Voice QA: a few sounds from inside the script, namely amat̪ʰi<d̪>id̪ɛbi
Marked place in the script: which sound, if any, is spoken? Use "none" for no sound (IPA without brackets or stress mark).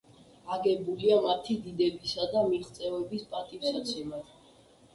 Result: d̪